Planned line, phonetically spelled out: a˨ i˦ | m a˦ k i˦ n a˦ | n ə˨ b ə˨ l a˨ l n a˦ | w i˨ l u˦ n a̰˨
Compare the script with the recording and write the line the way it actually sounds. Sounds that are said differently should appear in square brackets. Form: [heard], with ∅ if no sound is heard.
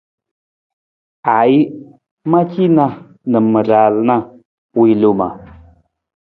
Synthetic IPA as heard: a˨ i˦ | m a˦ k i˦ n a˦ | n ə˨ [m] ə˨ [ɾ] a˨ l n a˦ | w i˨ l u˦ [m] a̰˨

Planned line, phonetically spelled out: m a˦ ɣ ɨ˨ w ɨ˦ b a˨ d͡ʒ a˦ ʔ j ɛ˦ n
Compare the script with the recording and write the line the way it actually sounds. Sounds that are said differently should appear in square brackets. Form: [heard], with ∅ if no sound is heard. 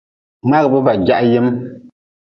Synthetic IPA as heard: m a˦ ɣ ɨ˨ [b] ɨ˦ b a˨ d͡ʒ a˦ ʔ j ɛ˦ [m]

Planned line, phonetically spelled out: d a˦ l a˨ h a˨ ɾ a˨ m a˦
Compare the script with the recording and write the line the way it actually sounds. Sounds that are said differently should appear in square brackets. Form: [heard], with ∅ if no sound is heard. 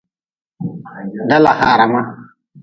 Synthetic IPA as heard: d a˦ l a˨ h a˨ ɾ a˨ m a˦

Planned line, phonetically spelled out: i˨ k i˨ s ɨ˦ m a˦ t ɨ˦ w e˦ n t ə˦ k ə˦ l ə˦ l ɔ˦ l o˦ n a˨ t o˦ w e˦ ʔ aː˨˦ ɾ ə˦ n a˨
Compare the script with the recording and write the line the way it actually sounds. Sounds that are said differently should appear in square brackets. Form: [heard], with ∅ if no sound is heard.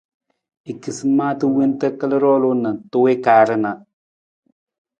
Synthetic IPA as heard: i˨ k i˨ s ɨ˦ m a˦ t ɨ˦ w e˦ n t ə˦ k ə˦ l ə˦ [ɾ] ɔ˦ l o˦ n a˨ t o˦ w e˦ [k] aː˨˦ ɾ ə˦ n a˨

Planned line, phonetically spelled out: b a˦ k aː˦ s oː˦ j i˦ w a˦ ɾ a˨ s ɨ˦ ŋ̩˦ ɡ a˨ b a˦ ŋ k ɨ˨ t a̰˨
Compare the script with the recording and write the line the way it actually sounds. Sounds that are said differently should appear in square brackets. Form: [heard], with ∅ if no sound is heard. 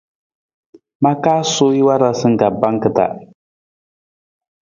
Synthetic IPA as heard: [m] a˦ k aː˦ s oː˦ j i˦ w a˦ ɾ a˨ s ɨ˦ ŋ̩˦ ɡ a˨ b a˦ ŋ k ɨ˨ t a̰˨

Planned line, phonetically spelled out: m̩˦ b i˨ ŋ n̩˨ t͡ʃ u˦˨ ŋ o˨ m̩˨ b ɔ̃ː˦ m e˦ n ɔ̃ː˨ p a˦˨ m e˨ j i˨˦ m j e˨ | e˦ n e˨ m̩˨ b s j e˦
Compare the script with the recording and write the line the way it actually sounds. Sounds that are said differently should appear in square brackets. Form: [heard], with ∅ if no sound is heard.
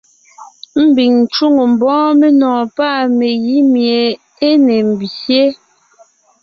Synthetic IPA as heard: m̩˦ b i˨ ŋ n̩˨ t͡ʃ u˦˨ ŋ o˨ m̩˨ b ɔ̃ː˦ m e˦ n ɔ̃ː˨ p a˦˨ m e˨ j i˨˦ m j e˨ | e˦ n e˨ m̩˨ b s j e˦

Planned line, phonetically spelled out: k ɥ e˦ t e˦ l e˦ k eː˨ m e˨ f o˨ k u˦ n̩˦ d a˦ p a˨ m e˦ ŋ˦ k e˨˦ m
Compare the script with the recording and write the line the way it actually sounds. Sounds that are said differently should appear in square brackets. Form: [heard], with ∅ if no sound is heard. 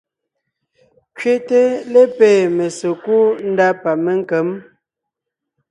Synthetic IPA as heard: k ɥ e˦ t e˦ l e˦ [p] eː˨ m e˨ [s] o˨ k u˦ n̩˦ d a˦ p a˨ m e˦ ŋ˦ k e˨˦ m

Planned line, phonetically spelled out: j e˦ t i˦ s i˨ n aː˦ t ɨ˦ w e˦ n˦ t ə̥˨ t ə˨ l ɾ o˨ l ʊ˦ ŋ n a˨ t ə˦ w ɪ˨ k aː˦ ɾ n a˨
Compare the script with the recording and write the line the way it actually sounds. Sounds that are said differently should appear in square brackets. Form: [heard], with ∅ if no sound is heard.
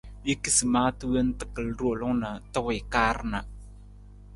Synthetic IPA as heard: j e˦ [k] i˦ s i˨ [m] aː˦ t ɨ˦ w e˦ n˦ t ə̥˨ [k] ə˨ l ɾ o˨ l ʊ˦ ŋ n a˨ t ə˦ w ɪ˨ k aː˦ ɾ n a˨

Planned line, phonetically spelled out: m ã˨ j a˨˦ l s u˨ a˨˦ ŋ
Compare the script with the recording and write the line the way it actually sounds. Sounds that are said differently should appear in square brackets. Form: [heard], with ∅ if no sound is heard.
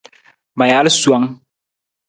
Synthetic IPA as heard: m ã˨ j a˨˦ l s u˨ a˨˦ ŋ

